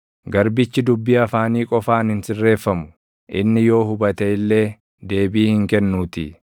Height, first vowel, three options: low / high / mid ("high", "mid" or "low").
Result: low